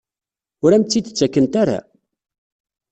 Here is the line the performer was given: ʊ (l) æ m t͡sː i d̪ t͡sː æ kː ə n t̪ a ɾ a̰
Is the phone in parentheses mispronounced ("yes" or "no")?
yes